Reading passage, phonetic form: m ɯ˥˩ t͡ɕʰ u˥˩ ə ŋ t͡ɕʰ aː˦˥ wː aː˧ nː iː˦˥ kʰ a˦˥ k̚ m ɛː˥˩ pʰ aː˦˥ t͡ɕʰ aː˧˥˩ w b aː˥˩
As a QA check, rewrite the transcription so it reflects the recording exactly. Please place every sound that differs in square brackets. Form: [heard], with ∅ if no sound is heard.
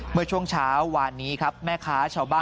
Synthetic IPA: m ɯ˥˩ t͡ɕʰ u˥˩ ə ŋ t͡ɕʰ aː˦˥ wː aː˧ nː iː˦˥ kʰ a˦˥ [p̚] m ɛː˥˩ [kʰ] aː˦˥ t͡ɕʰ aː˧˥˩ w b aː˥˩